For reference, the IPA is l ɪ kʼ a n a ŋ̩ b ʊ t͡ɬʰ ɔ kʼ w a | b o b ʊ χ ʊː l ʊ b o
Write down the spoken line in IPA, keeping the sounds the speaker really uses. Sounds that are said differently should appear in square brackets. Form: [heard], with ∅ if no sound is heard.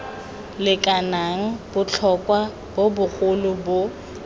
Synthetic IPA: l ɪ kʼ a n a ŋ̩ b ʊ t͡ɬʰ ɔ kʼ w a | b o b ʊ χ [ʊ] l ʊ b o